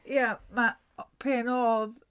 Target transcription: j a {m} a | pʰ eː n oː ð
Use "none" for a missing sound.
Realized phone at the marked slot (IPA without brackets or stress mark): m